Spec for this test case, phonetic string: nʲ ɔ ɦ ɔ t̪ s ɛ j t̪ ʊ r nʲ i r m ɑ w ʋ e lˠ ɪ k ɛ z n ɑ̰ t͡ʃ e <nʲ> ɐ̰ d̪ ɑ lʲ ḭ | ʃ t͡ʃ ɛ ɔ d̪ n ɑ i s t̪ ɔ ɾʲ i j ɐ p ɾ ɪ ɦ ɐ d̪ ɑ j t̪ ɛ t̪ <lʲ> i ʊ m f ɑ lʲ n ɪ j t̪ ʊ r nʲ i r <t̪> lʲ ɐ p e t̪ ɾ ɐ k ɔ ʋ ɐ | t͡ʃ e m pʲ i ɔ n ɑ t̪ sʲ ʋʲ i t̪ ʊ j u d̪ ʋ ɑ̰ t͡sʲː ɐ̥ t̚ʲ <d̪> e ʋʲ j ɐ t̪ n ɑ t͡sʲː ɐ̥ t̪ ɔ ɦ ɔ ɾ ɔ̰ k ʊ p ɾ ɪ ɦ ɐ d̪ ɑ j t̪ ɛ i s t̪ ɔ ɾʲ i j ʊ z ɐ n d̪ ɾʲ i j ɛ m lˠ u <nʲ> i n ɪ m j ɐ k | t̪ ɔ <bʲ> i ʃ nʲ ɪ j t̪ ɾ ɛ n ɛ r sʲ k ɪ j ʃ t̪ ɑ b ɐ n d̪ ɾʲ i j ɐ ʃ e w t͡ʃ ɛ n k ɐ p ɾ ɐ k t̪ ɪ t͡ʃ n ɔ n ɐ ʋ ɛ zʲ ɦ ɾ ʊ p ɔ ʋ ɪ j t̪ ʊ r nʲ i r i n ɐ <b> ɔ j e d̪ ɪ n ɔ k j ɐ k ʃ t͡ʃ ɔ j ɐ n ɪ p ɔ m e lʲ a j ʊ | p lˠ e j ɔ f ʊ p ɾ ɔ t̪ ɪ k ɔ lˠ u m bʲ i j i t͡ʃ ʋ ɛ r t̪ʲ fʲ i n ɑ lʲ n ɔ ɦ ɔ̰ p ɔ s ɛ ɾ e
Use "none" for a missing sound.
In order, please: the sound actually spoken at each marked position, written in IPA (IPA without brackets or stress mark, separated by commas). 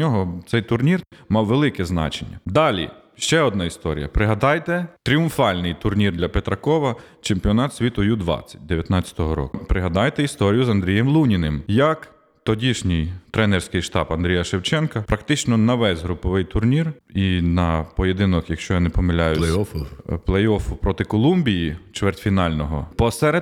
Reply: nʲː, ɾʲ, d̪, d̪, nʲ, dʲ, p